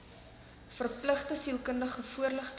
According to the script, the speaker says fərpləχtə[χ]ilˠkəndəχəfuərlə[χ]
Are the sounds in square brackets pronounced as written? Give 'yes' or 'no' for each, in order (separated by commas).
no, yes